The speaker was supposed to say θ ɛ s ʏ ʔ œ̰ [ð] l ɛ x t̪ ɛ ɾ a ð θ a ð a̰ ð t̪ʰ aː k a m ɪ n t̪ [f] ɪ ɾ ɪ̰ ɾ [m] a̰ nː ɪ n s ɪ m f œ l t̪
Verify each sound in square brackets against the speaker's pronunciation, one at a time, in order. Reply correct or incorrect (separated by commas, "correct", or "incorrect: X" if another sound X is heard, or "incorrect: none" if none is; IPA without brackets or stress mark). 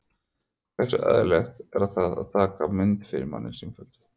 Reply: correct, correct, correct